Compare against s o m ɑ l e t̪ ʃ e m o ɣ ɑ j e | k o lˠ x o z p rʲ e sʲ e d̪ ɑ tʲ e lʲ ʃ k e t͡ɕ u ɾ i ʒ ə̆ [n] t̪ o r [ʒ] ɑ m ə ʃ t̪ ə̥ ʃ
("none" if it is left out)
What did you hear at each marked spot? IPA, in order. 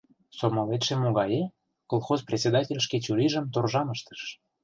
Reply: m, ʒ

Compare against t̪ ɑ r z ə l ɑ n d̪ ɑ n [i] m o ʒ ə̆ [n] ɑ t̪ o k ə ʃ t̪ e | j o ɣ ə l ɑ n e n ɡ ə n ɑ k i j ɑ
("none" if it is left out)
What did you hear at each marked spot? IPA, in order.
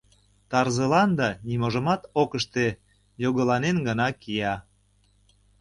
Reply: i, m

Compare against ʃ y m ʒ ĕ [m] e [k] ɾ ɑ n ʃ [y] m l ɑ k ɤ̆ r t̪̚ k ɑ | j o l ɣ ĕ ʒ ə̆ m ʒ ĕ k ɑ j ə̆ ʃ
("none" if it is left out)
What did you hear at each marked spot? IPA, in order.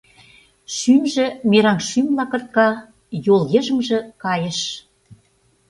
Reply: m, none, y

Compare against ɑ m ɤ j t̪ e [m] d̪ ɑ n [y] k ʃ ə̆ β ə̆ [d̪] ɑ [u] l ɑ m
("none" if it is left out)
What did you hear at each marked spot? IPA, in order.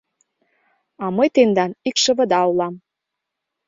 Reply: n, i, d̪, u

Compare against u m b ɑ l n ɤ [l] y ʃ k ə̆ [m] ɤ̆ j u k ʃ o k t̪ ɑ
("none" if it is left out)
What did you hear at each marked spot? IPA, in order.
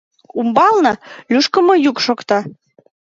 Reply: l, m

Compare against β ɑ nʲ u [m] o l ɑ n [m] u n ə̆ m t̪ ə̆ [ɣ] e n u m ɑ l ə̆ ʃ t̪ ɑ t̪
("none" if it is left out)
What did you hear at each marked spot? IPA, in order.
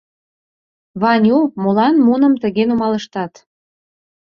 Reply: m, m, ɣ

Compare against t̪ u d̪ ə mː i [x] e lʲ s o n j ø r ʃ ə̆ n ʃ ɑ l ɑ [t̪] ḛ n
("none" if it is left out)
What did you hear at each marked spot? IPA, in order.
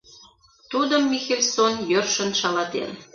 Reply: x, t̪

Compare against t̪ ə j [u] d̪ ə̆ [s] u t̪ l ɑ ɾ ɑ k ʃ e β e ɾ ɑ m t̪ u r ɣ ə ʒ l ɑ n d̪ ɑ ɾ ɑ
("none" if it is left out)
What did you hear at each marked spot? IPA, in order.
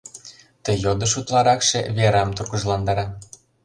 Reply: o, ʃ

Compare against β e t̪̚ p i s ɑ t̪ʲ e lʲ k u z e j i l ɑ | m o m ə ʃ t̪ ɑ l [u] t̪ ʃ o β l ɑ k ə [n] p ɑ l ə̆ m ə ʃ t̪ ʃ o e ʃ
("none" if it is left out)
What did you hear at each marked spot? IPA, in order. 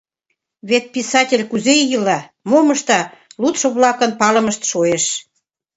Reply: u, n

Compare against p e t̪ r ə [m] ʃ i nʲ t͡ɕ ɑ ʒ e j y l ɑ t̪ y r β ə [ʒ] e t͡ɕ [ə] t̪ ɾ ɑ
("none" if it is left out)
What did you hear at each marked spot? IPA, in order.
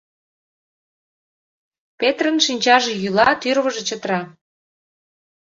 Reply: n, ʒ, ə

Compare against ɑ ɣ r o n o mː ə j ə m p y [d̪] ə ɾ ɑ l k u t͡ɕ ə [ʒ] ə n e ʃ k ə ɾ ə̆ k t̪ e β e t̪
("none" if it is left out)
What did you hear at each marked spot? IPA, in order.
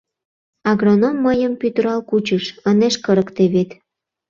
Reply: t̪, ʃ

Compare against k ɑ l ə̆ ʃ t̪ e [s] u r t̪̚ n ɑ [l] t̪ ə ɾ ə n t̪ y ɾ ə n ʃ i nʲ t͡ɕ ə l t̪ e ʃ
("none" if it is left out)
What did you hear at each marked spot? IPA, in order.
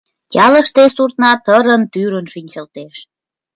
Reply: s, none

